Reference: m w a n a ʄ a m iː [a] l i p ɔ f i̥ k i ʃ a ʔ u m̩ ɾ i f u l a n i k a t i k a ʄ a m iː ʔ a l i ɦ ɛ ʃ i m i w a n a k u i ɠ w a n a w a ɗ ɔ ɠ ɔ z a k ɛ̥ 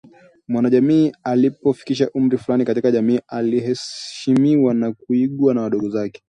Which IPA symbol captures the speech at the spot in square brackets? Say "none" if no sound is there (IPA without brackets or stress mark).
a